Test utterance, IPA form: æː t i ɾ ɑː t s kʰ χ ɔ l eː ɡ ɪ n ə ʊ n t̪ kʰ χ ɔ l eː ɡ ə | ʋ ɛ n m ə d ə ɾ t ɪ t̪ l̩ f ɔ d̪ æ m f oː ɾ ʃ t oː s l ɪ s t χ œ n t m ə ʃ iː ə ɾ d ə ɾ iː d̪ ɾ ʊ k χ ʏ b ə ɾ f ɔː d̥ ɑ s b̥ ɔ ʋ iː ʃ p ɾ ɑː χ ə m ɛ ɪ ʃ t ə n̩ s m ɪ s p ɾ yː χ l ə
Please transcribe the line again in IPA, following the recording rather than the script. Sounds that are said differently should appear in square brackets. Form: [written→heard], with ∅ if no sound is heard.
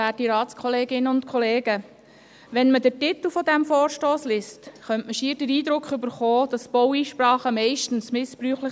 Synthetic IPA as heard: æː t i ɾ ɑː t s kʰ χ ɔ l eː ɡ ɪ n ə ʊ n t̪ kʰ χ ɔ l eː ɡ ə | ʋ ɛ n m ə d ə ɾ t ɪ t̪ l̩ f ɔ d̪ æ m f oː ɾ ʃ t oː s l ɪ s t χ œ n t m ə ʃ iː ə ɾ d ə ɾ iː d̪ ɾ ʊ k χ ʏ b ə ɾ [f→χ] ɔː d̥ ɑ s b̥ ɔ [ʋ→w] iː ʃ p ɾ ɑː χ ə m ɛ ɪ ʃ t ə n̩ s m ɪ s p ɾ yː χ l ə